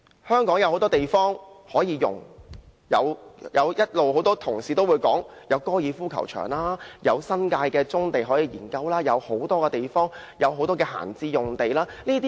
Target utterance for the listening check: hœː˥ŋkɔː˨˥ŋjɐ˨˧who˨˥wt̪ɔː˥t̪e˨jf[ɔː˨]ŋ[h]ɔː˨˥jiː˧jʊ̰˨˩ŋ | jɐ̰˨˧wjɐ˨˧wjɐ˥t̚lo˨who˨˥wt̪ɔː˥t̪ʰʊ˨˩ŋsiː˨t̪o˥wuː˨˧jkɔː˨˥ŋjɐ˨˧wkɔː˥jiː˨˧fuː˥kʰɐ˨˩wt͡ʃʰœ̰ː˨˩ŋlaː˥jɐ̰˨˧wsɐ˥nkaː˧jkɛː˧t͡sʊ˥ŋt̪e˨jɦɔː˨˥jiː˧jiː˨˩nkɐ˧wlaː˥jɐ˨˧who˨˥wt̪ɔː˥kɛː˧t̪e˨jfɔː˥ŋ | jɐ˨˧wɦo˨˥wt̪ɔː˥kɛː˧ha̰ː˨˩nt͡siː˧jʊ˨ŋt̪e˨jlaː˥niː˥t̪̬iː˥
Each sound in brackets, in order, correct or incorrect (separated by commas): incorrect, correct